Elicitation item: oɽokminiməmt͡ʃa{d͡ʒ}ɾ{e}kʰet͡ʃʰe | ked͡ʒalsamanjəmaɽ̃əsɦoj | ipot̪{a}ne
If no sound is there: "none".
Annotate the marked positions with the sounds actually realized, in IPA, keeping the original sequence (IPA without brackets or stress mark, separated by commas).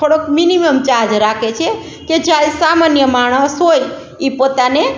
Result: d͡ʒ, a, a